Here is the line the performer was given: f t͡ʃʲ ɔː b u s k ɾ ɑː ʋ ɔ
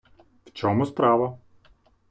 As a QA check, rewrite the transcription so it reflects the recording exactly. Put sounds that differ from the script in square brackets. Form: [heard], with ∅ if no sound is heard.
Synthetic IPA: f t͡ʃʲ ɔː [m] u s [p] ɾ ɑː ʋ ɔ